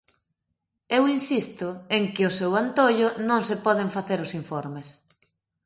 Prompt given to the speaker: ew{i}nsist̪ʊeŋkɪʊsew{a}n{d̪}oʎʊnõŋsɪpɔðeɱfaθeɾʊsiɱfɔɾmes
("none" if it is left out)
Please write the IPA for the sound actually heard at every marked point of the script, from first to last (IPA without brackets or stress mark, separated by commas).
i, a, t̪